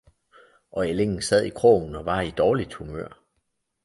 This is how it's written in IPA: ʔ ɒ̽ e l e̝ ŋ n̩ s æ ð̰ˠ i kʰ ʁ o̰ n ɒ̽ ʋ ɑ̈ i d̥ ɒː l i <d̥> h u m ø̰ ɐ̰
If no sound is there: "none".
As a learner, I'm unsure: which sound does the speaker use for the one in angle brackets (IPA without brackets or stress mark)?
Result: d̥